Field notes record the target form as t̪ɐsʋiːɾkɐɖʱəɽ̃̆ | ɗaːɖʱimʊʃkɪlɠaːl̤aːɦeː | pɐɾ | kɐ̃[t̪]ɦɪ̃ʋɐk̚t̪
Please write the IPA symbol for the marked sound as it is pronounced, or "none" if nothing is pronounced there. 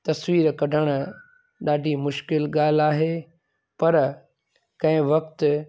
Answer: none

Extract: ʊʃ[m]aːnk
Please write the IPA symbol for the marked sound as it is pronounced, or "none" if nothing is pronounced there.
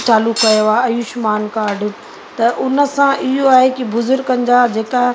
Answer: m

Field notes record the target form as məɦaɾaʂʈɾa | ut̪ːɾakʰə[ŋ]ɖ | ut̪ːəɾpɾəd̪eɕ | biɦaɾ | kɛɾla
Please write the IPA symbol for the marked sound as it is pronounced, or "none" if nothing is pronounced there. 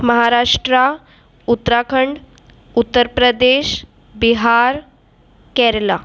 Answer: ɳ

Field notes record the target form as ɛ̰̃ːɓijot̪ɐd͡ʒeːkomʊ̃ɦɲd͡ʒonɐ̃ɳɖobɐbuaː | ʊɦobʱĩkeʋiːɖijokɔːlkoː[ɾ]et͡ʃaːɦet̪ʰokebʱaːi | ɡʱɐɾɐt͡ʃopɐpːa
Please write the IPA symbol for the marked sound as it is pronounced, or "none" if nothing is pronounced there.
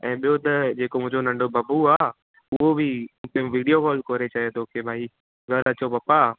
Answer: ɾ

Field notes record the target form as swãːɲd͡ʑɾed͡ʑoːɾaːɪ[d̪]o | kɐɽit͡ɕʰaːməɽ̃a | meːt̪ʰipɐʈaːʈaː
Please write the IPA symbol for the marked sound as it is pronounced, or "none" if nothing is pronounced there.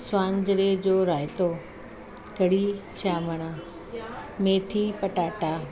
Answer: t̪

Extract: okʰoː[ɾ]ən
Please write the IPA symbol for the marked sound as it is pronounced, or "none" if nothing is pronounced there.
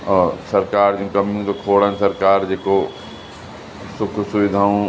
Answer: ɽ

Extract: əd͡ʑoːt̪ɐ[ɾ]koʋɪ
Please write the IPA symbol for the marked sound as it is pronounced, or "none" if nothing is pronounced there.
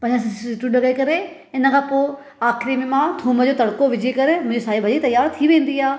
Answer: ɽ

